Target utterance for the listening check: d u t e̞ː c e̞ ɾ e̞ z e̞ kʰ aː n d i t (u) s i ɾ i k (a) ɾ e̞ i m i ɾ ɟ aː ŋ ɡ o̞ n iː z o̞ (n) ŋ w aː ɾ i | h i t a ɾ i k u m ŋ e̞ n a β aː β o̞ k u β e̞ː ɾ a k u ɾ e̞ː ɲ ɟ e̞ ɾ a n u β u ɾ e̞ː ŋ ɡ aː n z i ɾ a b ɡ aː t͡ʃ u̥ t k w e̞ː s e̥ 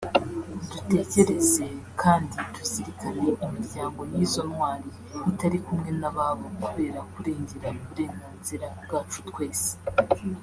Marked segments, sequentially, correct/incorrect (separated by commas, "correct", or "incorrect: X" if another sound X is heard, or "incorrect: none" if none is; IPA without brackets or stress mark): correct, correct, correct